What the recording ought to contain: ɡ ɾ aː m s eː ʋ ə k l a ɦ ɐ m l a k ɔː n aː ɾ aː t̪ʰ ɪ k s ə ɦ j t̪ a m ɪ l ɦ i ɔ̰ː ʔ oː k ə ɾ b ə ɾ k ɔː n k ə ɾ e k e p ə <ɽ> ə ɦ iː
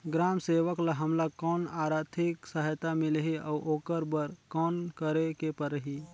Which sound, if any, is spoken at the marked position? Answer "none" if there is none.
ɾ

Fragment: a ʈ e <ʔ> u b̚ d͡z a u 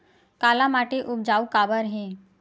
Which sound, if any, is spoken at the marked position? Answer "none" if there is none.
ʔ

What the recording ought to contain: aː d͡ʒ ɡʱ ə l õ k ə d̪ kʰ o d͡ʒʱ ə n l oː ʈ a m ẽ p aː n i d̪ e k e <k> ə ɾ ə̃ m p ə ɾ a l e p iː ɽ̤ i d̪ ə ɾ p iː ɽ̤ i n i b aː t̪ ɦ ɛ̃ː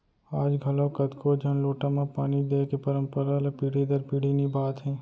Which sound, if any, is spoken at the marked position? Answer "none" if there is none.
p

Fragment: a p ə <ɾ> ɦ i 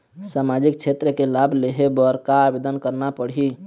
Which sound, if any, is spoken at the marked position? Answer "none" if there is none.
ɽ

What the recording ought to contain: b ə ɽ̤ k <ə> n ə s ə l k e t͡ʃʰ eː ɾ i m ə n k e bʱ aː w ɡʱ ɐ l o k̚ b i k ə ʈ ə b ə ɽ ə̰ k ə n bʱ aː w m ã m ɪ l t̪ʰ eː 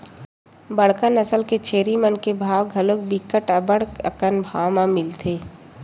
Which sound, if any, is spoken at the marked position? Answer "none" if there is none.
ə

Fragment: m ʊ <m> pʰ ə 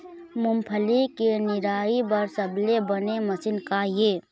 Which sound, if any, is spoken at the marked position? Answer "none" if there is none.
m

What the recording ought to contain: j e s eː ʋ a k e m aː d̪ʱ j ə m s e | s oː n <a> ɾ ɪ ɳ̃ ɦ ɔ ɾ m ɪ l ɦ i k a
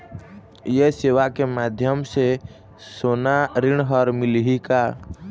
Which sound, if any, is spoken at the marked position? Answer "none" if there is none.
a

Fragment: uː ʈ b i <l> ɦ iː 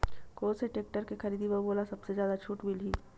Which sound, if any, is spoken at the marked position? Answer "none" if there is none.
l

